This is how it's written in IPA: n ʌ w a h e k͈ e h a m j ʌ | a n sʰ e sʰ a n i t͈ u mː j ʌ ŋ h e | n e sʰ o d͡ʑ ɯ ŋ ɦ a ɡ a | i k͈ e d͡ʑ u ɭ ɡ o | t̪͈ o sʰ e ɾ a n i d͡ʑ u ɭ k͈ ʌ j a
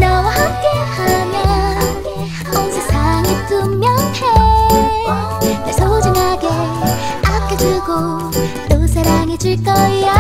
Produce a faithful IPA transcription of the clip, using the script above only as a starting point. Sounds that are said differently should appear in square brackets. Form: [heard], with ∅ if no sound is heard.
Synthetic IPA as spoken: n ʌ w a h [a] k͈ e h a m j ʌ | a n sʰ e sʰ a [ŋ] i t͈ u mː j ʌ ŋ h e | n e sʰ o d͡ʑ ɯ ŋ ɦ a ɡ [e] | [a] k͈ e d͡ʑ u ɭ ɡ o | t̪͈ o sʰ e ɾ a [ŋ] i d͡ʑ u ɭ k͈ ʌ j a